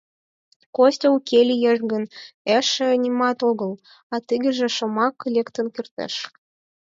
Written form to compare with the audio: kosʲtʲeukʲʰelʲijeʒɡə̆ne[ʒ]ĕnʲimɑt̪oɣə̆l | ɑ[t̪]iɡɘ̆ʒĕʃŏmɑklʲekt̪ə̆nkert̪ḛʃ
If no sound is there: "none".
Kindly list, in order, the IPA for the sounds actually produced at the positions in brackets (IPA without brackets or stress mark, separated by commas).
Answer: ʃ, t̪